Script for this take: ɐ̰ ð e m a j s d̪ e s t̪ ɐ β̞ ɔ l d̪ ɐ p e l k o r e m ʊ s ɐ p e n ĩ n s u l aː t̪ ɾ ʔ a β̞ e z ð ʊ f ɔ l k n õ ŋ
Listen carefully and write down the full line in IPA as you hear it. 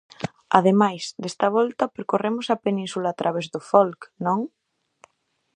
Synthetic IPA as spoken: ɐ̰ ð e m a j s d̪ e s t̪ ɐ β̞ ɔ l t̪ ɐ p e ɾ k o r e m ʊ s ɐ p e n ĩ n s u l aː t̪ ɾ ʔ a β̞ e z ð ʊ f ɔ l k n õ ŋ